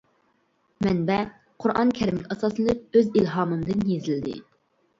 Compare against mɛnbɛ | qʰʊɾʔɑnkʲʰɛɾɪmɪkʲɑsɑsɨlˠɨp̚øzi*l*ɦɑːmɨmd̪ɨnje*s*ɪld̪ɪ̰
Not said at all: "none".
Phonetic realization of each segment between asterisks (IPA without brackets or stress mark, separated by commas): l, z